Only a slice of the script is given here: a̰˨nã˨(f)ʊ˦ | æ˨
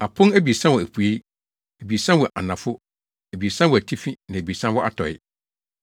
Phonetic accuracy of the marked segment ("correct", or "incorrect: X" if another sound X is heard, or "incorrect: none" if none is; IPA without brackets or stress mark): correct